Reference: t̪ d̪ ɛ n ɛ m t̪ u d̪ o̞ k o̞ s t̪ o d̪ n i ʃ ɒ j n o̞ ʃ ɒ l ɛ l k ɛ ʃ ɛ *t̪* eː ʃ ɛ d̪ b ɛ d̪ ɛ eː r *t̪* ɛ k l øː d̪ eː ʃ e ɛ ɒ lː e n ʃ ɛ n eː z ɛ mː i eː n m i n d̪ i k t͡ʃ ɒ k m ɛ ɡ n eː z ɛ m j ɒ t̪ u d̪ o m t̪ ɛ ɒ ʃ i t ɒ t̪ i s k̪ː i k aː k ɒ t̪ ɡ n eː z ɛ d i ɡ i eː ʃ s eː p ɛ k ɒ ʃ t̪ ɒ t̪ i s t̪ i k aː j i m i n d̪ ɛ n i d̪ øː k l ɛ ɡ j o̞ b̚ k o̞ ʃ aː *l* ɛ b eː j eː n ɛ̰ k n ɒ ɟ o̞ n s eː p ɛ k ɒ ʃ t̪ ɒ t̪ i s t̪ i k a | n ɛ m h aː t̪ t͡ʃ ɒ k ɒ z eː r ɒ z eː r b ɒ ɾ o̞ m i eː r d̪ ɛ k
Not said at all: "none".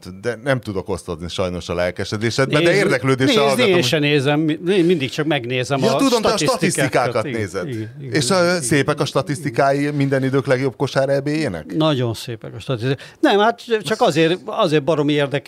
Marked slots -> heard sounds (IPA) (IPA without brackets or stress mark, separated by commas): d̪, d̪, ɾ